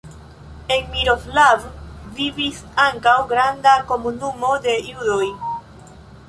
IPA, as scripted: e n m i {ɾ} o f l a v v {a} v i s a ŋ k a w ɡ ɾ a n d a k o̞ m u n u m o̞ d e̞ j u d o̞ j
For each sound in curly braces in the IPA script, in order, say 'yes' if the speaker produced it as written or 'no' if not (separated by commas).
yes, no